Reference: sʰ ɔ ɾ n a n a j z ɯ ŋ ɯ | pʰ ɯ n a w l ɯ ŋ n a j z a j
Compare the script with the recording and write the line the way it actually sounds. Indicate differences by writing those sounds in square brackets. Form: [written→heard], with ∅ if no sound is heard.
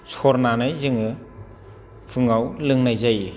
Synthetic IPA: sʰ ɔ ɾ n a n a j z ɯ ŋ ɯ | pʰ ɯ [n→ŋ] a w l ɯ ŋ n a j z a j